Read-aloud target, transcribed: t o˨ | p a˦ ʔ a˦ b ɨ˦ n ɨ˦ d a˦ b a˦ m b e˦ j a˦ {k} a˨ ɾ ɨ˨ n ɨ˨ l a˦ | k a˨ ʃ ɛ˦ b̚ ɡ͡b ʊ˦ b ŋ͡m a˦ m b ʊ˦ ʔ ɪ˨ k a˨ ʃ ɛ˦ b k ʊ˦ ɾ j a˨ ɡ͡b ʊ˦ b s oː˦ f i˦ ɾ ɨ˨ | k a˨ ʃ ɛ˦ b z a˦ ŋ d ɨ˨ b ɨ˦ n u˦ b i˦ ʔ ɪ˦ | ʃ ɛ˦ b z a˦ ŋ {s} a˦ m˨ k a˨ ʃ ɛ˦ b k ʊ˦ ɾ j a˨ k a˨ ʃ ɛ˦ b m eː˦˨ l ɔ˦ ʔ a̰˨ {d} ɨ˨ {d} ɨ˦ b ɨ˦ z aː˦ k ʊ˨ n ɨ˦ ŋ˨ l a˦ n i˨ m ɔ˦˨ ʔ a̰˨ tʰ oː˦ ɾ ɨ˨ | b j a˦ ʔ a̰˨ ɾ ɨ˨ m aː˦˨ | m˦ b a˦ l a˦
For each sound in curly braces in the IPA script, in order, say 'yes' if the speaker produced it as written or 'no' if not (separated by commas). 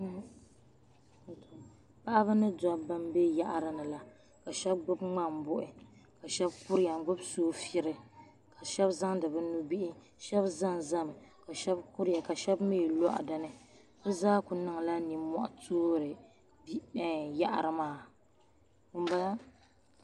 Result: no, no, yes, no